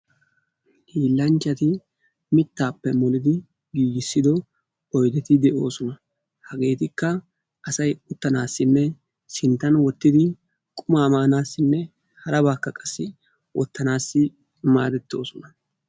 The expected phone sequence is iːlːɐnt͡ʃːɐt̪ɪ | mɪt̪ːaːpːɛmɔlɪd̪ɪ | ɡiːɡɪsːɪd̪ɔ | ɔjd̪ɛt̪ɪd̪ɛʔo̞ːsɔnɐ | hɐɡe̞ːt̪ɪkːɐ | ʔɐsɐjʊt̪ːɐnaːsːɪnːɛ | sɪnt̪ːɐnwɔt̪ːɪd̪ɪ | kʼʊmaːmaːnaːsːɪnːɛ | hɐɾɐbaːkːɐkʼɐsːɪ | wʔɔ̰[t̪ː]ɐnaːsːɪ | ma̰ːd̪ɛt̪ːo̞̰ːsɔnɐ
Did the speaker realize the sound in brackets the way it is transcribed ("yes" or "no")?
yes